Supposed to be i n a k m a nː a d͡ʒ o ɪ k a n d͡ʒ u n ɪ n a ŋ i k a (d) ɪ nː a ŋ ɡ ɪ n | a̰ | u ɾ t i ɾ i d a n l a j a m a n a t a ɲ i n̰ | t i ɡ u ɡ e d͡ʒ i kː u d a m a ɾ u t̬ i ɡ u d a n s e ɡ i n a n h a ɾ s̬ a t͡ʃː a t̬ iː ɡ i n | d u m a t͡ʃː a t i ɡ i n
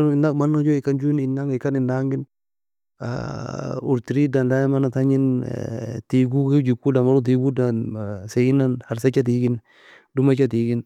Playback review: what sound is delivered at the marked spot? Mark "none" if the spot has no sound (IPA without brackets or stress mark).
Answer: n